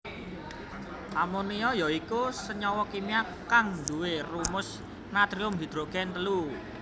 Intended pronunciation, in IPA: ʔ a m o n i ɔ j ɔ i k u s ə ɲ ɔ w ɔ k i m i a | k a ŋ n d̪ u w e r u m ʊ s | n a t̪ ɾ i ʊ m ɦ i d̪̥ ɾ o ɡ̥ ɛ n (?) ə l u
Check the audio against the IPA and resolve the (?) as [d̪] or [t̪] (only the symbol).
t̪